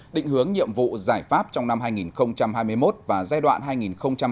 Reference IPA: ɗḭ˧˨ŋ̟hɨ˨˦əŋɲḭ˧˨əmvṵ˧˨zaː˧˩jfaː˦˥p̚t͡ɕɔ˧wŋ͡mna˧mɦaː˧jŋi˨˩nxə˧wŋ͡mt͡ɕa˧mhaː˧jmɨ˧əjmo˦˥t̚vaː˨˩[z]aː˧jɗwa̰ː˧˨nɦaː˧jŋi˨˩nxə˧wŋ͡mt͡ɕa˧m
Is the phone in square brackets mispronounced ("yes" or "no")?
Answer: no